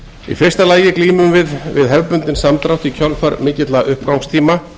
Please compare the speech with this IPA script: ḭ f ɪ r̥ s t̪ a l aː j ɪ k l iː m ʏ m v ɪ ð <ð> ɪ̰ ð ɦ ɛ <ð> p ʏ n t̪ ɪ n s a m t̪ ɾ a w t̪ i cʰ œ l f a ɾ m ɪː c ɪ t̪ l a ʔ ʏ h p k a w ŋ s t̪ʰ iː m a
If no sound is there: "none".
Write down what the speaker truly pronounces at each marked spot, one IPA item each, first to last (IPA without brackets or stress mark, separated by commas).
v, v